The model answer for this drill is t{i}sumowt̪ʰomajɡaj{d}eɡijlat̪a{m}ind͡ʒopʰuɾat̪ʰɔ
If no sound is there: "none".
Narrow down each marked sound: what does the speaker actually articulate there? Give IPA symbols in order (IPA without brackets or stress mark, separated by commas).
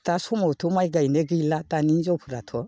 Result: a, n, n